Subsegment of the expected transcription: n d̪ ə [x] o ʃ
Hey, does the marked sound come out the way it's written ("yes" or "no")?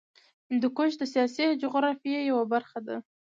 no